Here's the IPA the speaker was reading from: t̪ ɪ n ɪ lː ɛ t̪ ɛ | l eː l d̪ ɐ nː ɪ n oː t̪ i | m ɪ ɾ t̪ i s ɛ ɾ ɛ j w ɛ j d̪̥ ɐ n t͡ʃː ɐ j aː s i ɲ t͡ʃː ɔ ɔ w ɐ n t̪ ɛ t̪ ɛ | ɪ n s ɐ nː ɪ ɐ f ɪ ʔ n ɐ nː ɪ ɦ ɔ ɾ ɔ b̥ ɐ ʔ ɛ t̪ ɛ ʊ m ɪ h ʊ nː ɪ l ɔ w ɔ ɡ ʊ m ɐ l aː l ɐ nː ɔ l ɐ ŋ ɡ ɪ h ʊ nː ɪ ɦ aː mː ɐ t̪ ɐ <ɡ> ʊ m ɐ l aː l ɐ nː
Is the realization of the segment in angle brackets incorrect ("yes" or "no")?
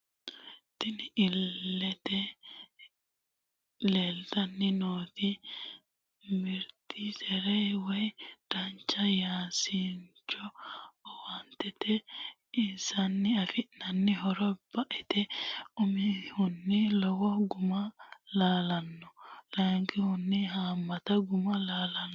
no